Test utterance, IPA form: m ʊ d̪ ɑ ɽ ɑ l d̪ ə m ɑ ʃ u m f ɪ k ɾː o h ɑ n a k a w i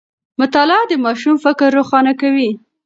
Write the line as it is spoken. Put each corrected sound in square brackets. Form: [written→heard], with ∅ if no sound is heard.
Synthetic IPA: m ʊ [d̪→t̪] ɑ [ɽ→l] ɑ [l→∅] d̪ ə m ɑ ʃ u m f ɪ k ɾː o [h→x] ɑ n a k a w i